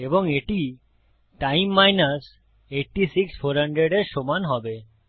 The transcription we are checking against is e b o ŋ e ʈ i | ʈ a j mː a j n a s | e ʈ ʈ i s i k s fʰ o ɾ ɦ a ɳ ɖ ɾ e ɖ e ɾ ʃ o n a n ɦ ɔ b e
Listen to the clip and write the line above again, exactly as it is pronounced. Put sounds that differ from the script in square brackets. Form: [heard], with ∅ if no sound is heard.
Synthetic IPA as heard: e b o ŋ e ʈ i | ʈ a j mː a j n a s | e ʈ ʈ i s i k s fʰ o ɾ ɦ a ɳ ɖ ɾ e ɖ e ɾ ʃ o [m] a n ɦ ɔ b e